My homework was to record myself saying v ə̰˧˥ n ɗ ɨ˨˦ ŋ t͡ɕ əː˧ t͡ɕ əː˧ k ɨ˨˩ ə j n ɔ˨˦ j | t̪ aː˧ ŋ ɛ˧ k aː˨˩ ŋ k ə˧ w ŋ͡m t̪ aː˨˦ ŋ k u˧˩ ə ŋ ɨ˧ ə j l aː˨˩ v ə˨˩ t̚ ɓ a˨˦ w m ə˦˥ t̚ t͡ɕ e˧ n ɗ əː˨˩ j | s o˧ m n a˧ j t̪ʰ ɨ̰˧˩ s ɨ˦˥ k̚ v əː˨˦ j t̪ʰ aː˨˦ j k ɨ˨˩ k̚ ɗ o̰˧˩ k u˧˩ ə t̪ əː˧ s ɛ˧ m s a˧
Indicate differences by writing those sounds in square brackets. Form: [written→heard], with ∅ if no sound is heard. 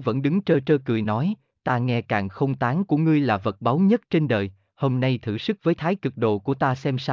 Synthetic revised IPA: v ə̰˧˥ n ɗ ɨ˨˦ ŋ t͡ɕ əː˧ t͡ɕ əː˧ k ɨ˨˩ ə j n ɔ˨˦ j | t̪ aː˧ ŋ ɛ˧ k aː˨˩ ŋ [k→x] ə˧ w ŋ͡m t̪ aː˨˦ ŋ k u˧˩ ə ŋ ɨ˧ ə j l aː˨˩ v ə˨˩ t̚ ɓ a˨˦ w [m→ɲ] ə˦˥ t̚ t͡ɕ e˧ n ɗ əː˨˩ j | [s→h] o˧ m n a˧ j t̪ʰ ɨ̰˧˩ s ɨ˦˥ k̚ v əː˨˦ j t̪ʰ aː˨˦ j k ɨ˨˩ k̚ ɗ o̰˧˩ k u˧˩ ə t̪ [əː˧→aː˧] s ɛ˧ m s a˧